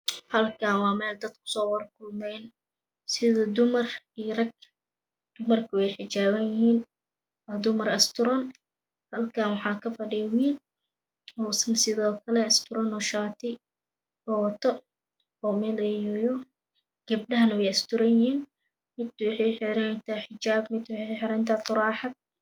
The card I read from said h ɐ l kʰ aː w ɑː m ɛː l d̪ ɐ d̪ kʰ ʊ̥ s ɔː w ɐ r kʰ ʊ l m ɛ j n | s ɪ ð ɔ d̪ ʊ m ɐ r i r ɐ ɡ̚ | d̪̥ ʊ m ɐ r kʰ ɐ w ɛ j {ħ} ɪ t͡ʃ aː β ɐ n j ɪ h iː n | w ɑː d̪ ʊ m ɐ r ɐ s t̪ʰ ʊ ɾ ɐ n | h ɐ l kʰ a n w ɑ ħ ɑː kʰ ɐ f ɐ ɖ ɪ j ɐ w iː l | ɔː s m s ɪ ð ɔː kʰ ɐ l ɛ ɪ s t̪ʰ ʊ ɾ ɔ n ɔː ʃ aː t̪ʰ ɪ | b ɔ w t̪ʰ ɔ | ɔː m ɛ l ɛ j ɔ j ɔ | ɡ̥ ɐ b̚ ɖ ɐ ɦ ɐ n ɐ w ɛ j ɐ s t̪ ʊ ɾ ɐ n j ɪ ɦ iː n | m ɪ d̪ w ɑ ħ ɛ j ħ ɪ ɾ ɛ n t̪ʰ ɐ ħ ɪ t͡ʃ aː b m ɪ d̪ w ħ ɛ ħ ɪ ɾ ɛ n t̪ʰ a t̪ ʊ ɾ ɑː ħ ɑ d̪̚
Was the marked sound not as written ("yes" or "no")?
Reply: no